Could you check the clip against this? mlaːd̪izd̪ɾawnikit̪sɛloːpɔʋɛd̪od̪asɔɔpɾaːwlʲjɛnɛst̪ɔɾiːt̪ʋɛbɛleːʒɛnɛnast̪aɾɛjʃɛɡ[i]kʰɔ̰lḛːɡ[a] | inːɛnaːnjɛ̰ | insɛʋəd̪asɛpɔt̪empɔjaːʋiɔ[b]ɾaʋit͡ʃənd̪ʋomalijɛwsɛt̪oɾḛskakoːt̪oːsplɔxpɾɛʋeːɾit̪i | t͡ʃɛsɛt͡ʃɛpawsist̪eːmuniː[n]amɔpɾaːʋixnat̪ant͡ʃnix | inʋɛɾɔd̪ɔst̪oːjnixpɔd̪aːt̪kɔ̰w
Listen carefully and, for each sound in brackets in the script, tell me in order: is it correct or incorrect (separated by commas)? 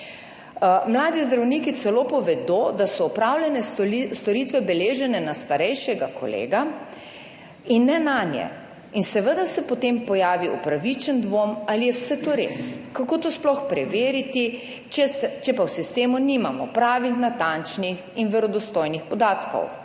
incorrect, correct, incorrect, incorrect